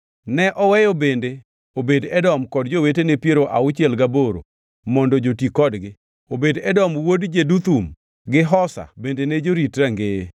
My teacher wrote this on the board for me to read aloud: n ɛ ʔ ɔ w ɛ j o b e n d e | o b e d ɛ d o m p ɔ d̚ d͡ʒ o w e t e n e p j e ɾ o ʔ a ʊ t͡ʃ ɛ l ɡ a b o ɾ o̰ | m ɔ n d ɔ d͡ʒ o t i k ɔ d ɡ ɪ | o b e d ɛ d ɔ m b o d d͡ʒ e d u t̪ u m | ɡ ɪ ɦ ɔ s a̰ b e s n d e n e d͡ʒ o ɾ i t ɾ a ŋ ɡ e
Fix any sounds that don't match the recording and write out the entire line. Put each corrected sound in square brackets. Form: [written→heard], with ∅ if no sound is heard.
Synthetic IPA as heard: n ɛ ʔ ɔ w ɛ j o b e n d e | o b e d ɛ d [o→ɔ] m [p→k] ɔ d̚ d͡ʒ o w e t e n e p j e ɾ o ʔ a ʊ t͡ʃ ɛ l ɡ a b o ɾ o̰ | m ɔ n d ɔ d͡ʒ o t i k ɔ d ɡ ɪ | o b e d ɛ d ɔ m [b→w] o d d͡ʒ e d u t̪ u m | ɡ ɪ ɦ ɔ s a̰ b e [s→∅] n d e n e d͡ʒ o ɾ i t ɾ a ŋ ɡ e